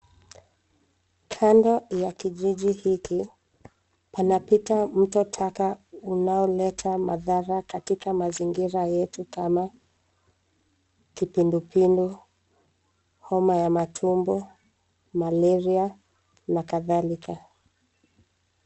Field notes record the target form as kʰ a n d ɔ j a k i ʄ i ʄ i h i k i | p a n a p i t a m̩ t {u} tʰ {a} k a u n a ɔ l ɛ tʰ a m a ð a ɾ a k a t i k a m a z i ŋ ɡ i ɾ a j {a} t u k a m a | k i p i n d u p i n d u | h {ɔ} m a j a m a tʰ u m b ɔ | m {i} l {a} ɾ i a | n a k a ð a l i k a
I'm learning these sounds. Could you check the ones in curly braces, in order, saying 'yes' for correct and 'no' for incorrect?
no, yes, no, yes, no, no

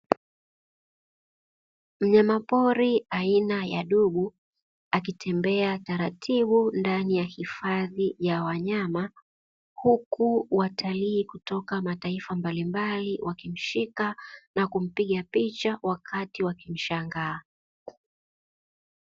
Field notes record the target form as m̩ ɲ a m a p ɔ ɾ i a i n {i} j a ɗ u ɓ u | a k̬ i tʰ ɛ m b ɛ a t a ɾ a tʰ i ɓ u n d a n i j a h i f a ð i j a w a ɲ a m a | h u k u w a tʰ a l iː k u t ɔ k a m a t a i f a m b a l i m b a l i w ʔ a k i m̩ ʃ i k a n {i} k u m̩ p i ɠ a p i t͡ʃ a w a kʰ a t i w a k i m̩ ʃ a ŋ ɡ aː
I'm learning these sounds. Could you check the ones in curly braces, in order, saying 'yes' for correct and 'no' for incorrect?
no, no

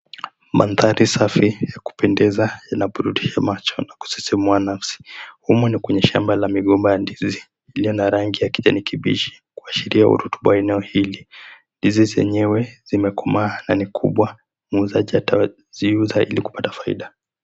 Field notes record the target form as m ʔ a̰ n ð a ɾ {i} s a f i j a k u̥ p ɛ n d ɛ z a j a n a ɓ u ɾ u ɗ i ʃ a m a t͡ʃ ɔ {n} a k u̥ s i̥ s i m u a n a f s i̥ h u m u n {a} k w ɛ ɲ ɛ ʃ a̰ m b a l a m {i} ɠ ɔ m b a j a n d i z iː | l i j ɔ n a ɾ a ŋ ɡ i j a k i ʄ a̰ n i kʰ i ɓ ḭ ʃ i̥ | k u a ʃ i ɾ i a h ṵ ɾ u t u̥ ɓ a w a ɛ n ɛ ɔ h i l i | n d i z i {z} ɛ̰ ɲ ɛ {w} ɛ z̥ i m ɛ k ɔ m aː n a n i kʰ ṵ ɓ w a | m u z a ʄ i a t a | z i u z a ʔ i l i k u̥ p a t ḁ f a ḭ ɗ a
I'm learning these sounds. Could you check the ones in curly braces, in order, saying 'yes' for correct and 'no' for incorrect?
yes, yes, no, yes, yes, yes

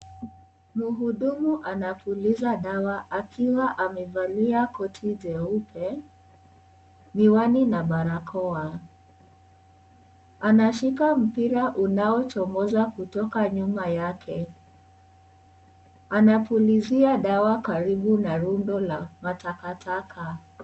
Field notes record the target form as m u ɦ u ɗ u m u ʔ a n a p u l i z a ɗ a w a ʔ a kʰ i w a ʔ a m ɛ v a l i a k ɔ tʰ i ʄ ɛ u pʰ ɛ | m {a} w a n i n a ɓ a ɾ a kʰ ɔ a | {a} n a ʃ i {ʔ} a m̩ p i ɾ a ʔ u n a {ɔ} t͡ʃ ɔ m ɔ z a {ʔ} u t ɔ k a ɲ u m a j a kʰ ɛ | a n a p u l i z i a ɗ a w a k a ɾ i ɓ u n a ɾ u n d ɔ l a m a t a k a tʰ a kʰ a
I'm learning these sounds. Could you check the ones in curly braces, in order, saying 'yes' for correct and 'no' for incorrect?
no, yes, no, yes, no

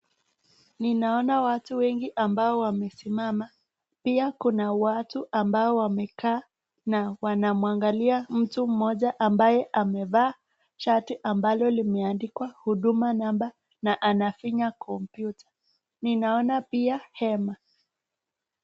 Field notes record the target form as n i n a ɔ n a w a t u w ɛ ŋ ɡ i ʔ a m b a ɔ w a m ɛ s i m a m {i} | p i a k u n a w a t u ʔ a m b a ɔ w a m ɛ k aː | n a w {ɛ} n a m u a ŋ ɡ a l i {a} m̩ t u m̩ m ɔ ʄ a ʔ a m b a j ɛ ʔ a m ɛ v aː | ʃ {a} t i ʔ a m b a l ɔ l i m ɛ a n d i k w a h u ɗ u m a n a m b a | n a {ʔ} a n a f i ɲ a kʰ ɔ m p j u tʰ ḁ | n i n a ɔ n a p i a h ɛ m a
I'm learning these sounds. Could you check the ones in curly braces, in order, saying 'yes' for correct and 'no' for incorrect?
no, no, yes, yes, yes

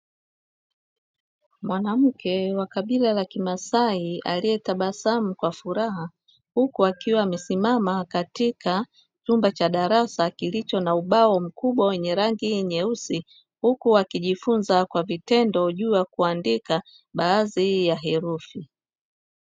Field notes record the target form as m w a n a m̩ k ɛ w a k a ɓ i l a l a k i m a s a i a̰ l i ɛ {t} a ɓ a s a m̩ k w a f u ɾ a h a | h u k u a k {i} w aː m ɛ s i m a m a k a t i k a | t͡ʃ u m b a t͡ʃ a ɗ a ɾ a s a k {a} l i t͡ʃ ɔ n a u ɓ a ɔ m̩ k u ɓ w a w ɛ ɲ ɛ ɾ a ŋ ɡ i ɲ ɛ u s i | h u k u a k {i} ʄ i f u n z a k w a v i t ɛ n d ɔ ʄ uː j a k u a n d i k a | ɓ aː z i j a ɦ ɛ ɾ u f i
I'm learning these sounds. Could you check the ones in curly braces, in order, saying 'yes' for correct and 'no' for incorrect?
yes, yes, no, yes

